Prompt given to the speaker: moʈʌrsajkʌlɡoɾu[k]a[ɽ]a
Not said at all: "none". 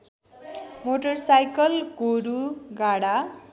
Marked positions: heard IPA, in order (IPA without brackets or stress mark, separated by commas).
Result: ɡ, ɽ